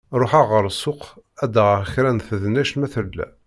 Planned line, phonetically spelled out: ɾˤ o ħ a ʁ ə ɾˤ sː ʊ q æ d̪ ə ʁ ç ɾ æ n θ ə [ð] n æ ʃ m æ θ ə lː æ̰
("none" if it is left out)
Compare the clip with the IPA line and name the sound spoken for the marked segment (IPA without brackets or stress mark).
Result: ð